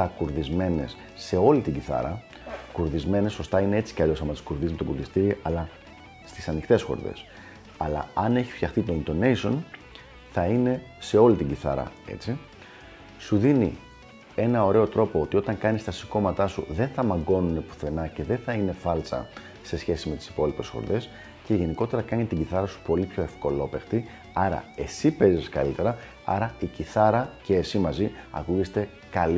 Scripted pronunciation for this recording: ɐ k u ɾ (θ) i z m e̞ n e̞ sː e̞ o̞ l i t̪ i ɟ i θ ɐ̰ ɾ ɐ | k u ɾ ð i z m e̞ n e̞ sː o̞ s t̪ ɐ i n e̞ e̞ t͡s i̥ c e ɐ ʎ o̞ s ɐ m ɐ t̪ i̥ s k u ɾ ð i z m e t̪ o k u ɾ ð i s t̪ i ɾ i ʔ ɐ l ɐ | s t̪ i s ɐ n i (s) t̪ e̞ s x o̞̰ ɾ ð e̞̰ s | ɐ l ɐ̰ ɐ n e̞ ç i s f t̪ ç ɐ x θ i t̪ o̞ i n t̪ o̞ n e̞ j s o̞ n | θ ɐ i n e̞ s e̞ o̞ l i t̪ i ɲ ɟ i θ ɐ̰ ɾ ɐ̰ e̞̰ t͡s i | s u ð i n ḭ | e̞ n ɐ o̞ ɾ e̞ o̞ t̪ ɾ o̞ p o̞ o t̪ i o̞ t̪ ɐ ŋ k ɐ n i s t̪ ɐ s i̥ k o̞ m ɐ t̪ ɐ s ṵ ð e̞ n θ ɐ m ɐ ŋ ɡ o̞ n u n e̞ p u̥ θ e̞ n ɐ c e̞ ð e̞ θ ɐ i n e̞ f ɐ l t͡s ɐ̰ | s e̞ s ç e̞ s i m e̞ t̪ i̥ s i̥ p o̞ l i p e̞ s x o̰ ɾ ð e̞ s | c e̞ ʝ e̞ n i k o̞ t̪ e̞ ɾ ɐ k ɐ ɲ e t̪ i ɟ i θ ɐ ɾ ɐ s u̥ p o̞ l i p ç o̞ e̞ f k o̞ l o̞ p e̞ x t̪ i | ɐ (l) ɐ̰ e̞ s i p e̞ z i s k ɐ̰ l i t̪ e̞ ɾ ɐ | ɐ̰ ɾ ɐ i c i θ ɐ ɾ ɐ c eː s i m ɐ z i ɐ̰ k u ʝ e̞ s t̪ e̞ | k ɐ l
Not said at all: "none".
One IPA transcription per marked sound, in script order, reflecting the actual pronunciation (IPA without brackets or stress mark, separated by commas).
ð, x, ɾ